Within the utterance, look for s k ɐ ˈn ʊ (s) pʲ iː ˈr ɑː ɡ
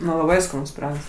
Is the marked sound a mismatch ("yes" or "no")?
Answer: no